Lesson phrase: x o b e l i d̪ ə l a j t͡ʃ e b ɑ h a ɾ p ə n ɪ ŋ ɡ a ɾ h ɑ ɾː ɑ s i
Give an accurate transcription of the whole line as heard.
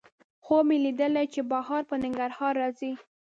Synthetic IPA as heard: x o m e l i d̪ ə l a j t͡ʃ e b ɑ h ɑ ɾ p ə n ɪ ŋ ɡ a ɾ h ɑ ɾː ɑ z i